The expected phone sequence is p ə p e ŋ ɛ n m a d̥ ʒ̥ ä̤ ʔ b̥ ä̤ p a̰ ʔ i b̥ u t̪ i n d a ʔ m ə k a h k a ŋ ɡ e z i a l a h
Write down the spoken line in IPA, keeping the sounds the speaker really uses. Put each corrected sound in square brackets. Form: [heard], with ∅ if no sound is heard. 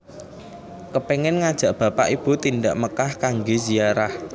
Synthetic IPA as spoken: [k] ə p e ŋ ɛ n [ŋ] a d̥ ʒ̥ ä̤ ʔ b̥ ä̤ p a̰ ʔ i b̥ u t̪ i n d a ʔ m ə k a h k a ŋ ɡ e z i a [ɾ] a h